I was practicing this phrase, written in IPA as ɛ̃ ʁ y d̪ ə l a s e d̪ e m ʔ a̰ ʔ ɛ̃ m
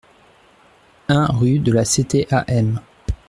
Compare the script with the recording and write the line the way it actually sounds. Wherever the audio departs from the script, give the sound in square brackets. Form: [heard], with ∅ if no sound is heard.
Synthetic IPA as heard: ɛ̃ ʁ y d̪ ə l a s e [t̪] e [∅] ʔ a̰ ʔ [ɛ] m